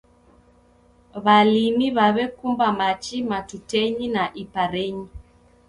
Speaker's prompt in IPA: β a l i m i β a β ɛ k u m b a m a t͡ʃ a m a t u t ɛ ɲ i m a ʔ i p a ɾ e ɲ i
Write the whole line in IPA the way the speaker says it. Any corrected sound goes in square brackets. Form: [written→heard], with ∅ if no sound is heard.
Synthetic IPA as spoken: β a l i m i β a β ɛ k u m b a m a t͡ʃ [a→i] m a t u t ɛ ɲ i [m→n] a ʔ i p a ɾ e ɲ i